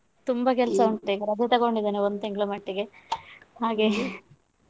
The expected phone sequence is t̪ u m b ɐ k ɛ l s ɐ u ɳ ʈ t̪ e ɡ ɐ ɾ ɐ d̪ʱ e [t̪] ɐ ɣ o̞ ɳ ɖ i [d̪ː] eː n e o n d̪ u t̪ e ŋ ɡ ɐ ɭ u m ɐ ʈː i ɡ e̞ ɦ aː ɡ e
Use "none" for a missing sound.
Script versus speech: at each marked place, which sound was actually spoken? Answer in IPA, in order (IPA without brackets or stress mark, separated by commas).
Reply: t̪, d̪